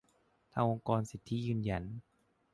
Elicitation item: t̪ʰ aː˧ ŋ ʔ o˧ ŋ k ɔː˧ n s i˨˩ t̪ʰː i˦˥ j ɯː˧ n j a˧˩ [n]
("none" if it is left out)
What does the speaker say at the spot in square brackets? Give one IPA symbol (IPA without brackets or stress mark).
n